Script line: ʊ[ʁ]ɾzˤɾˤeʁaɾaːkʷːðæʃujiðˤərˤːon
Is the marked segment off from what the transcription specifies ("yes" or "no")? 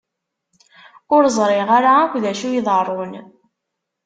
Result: yes